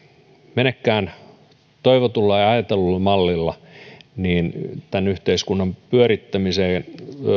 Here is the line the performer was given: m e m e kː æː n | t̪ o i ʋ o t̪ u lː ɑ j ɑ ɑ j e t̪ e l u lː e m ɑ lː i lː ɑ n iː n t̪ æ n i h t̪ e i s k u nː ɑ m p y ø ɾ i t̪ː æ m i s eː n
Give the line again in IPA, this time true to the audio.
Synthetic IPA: m e n e kː æː n | t̪ o i ʋ o t̪ u lː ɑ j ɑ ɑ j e t̪ e l u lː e m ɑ lː i lː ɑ n iː n t̪ æ n y h t̪ e i s k u nː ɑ m p y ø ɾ i t̪ː æ m i s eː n